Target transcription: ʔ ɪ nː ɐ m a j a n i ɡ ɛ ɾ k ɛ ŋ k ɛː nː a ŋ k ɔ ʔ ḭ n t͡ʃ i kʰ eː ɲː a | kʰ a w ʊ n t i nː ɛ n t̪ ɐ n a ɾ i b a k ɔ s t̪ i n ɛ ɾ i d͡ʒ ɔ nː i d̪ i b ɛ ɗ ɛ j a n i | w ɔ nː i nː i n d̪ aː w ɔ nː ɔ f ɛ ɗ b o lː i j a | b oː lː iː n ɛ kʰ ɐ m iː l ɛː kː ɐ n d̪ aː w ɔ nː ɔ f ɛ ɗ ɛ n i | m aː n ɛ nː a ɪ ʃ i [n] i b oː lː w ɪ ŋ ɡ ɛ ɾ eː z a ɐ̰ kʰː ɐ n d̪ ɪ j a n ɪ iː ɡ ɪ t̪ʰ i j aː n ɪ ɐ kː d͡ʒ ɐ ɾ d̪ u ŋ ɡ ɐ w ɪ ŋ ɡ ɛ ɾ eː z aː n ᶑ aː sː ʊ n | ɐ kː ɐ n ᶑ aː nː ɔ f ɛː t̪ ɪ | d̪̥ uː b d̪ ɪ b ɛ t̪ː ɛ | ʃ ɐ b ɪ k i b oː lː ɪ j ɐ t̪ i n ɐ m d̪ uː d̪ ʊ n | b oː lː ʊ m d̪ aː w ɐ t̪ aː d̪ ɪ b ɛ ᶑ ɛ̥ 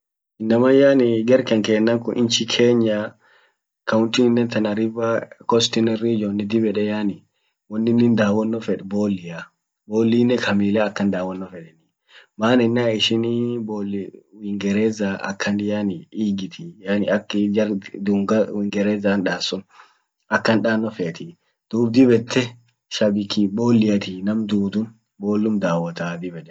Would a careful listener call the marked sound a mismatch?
no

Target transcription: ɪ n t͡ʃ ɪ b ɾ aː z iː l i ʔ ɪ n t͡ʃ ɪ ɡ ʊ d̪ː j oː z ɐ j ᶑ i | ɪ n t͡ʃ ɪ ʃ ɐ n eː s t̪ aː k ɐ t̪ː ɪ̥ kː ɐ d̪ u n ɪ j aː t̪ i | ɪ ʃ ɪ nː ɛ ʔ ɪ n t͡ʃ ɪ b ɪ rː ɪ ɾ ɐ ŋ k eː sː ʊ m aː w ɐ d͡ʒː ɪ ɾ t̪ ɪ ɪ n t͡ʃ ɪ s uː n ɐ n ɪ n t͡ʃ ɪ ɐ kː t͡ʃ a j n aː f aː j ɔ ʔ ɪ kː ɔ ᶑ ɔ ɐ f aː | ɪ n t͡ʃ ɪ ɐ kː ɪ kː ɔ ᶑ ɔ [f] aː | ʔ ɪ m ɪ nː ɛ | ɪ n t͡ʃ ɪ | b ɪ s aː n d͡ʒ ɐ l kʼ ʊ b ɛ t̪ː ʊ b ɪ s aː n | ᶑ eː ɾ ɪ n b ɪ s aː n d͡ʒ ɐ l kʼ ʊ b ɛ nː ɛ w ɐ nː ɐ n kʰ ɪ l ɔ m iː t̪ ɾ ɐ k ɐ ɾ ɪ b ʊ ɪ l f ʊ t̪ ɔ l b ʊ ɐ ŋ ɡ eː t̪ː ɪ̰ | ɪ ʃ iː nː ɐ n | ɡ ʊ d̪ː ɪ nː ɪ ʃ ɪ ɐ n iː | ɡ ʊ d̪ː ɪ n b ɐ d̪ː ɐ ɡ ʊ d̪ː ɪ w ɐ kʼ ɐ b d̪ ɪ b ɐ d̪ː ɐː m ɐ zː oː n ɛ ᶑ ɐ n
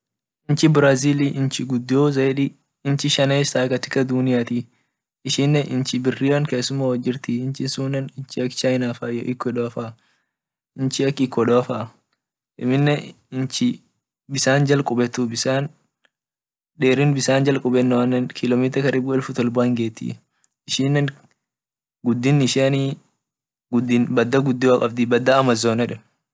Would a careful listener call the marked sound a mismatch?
no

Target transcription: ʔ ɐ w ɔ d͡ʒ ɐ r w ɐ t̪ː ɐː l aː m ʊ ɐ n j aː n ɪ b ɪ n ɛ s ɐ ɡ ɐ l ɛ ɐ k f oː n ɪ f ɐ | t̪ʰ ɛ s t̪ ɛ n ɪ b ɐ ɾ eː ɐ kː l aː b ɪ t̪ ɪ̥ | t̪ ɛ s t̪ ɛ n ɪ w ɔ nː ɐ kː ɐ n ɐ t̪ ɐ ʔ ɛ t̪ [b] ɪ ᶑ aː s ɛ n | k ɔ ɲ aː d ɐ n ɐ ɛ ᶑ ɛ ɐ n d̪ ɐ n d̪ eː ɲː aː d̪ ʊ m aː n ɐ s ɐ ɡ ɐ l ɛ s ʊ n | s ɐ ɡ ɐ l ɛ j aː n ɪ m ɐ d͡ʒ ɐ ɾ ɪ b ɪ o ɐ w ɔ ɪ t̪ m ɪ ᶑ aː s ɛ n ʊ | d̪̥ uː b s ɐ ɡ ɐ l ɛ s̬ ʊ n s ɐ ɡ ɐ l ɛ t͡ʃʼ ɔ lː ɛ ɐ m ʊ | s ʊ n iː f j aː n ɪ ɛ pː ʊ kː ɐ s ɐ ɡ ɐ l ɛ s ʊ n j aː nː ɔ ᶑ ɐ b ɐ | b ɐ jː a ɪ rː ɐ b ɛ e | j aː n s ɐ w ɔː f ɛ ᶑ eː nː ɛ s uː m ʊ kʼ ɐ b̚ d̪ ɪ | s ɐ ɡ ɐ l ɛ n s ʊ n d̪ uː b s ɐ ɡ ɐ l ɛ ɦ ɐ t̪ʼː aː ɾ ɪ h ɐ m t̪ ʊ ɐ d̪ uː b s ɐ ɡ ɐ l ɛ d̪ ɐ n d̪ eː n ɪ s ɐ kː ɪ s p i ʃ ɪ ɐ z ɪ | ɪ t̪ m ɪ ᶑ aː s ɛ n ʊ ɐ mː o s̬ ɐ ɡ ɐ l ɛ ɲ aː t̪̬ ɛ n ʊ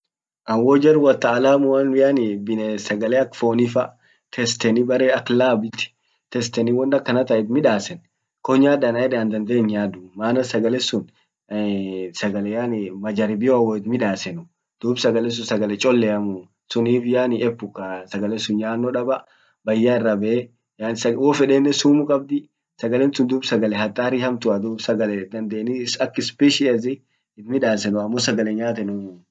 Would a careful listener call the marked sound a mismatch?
yes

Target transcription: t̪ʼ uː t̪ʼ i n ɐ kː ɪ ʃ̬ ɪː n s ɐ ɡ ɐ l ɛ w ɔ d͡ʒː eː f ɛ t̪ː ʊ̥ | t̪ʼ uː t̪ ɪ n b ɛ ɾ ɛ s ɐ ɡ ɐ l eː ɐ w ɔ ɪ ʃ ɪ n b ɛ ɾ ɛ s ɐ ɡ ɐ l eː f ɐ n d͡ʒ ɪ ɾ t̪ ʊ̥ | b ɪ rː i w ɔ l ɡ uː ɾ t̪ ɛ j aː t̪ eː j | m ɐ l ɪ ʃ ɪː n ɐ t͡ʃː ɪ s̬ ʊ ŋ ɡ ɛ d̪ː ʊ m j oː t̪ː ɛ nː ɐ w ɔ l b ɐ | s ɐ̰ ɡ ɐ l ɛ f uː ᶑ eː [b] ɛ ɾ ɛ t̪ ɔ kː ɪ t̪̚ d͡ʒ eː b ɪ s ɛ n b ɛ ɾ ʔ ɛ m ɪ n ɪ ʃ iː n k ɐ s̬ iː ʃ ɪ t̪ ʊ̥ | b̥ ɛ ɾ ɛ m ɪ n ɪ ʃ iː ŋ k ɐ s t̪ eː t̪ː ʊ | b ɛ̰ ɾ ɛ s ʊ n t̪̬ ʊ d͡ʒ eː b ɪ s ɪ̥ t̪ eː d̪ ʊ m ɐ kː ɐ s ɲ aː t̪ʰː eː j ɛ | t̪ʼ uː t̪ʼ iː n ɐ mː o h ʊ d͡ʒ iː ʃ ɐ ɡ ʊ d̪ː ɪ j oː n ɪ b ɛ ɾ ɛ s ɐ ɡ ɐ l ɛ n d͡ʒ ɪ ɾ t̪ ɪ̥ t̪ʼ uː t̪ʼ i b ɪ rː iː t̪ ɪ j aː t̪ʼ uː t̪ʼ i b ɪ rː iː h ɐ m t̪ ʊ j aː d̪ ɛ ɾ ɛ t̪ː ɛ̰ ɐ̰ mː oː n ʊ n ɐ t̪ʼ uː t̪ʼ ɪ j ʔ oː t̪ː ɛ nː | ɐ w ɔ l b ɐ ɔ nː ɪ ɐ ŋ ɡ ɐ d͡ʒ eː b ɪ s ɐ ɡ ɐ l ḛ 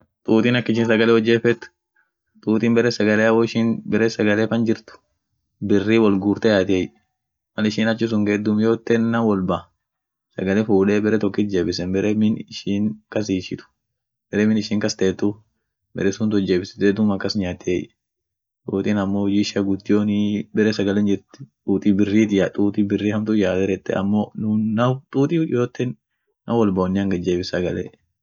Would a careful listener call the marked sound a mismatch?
no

